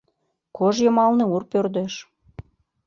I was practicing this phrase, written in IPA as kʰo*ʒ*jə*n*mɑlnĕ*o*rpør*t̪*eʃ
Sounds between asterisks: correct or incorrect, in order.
correct, incorrect: none, incorrect: u, incorrect: d̪

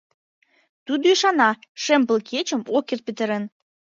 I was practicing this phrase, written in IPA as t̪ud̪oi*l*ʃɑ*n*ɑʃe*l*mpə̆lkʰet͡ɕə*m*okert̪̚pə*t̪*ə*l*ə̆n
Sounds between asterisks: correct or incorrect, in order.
incorrect: none, correct, incorrect: none, correct, correct, incorrect: ɾ

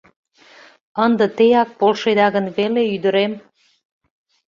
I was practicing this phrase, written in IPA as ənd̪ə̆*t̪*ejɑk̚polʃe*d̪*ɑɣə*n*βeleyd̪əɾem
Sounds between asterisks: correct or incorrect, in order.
correct, correct, correct

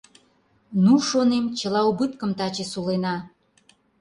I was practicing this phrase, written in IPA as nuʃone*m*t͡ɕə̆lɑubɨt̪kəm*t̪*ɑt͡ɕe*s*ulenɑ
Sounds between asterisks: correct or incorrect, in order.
correct, correct, correct

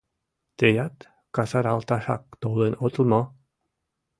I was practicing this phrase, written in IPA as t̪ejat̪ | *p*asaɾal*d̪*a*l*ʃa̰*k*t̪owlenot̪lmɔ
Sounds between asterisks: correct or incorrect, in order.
incorrect: k, incorrect: t̪, incorrect: none, correct

